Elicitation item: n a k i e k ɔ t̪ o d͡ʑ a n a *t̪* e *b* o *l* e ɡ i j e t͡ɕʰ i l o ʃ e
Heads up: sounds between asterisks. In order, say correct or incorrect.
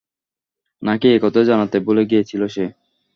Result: correct, correct, correct

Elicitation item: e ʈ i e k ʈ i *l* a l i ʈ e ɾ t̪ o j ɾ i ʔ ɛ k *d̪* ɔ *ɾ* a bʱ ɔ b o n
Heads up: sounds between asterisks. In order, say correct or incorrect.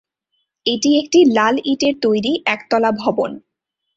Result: correct, incorrect, incorrect

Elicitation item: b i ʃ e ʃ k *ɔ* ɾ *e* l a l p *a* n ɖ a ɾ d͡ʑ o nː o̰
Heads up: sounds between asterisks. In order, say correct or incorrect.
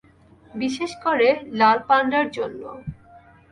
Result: incorrect, correct, correct

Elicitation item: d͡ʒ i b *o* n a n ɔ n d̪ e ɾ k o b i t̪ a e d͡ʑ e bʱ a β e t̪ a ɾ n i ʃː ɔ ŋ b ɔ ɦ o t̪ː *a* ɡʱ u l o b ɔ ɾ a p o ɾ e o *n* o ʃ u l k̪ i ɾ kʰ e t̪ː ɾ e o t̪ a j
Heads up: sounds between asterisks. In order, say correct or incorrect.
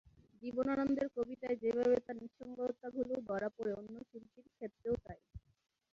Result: correct, correct, incorrect

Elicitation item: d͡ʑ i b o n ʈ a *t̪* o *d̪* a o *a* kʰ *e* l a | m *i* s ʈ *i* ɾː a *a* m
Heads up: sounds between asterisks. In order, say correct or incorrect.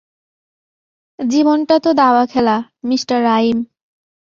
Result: correct, correct, correct, incorrect, correct, incorrect, incorrect

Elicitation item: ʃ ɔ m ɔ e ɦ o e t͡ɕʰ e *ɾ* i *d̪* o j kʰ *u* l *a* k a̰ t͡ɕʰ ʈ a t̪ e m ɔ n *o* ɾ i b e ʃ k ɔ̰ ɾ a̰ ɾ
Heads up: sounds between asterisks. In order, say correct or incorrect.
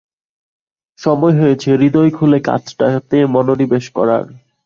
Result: correct, correct, correct, incorrect, correct

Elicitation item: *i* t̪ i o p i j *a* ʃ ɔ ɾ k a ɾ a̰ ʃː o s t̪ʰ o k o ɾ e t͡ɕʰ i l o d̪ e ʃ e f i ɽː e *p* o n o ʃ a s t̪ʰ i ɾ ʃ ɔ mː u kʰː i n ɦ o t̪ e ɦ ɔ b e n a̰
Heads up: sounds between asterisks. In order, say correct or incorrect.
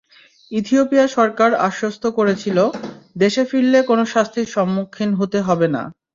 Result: correct, correct, incorrect

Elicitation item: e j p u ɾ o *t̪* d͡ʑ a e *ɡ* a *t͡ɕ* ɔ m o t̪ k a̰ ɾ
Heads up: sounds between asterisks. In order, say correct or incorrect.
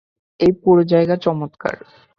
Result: incorrect, correct, correct

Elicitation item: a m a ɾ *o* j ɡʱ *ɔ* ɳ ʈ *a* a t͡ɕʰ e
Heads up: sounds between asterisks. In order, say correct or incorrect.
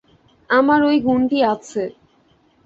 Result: correct, incorrect, incorrect

